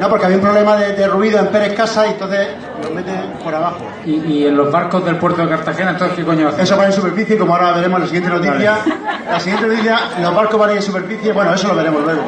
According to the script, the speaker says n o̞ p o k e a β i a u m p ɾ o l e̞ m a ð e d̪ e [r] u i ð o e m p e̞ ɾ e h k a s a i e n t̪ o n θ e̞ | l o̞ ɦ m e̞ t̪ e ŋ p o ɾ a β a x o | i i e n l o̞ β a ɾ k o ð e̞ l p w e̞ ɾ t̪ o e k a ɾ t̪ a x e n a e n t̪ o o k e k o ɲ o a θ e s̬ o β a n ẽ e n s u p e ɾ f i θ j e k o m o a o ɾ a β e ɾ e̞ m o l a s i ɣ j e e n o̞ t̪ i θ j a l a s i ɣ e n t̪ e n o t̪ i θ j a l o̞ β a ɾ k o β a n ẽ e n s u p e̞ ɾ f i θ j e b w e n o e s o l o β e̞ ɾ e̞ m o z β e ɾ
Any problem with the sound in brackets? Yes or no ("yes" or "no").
no